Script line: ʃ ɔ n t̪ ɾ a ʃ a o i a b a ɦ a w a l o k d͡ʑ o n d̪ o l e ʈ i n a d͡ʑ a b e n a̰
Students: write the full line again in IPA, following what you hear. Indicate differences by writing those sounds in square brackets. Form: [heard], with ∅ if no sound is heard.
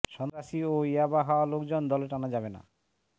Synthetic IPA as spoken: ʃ ɔ n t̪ ɾ a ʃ [i] o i a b a ɦ a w a l o k d͡ʑ o n d̪ [ɔ] l e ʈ [a] n a d͡ʑ a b e n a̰